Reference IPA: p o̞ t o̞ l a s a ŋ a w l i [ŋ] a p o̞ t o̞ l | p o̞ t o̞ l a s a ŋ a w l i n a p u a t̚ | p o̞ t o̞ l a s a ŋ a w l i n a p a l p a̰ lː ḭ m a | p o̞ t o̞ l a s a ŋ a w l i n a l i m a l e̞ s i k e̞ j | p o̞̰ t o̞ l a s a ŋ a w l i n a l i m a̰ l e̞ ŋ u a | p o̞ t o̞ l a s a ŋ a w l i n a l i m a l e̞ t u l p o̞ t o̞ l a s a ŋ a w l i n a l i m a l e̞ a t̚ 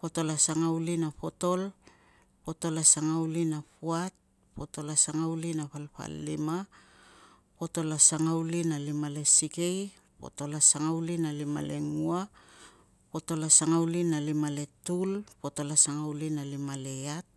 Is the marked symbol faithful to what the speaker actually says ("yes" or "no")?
no